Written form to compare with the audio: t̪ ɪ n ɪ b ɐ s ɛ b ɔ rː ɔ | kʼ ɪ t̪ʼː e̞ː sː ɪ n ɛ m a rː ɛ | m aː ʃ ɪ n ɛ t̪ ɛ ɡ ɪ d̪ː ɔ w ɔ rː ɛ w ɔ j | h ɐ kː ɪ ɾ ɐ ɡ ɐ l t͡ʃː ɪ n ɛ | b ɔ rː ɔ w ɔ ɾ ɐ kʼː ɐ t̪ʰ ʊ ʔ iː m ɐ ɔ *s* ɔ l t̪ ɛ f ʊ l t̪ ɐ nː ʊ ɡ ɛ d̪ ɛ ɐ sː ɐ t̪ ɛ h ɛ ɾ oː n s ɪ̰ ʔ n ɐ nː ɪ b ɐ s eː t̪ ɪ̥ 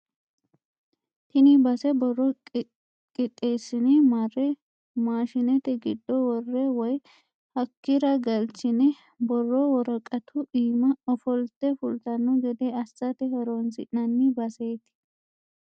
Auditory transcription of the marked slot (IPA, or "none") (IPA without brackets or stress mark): f